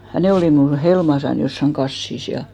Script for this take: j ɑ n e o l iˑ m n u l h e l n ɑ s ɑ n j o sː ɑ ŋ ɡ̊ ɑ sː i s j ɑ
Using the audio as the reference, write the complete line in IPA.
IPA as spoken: j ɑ n e o l iˑ m n u l h e l m ɑ s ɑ n j o sː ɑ ŋ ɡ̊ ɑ sː i s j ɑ